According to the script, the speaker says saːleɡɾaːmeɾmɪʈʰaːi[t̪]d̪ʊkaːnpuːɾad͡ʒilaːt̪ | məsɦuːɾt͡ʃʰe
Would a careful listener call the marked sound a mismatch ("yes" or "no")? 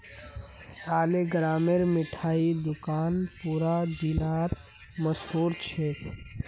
yes